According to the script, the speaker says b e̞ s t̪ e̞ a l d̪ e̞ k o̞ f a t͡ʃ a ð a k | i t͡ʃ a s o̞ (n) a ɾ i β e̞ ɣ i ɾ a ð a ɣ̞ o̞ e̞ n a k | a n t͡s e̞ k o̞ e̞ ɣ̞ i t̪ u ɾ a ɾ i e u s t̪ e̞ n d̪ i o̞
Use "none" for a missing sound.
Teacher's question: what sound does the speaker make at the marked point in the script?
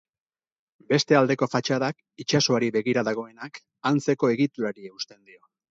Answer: none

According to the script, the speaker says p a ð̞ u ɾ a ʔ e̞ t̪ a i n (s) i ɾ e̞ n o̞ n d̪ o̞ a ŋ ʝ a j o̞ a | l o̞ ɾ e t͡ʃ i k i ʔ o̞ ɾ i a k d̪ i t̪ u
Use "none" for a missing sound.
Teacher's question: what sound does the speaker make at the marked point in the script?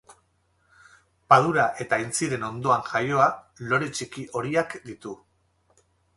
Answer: t͡s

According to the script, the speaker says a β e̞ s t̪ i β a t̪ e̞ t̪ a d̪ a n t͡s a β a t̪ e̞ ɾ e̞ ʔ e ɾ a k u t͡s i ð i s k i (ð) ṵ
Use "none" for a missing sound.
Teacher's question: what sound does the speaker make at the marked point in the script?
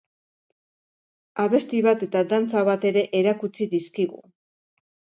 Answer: ɣ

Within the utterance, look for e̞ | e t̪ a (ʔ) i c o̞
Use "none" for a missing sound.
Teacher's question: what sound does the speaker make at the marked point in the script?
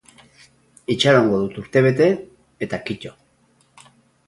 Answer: k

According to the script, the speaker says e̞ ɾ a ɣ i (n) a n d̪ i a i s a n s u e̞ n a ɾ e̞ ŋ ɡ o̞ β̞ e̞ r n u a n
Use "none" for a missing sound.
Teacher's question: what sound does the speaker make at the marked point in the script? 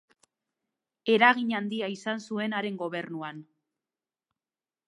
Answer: ɲ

